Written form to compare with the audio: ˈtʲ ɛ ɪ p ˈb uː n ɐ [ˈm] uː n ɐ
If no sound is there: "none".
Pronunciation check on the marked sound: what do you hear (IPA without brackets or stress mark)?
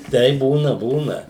b